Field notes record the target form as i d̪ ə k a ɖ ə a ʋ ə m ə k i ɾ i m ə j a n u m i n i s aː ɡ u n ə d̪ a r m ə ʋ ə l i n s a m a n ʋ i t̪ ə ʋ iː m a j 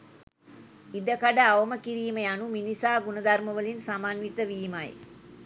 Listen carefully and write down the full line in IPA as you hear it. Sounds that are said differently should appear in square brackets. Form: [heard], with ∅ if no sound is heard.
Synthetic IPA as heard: i d̪ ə k a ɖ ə a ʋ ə m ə k i ɾ [iː] m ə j a n u m i n i s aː ɡ u n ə d̪ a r m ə ʋ ə l i n s a m a n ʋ i t̪ ə ʋ iː m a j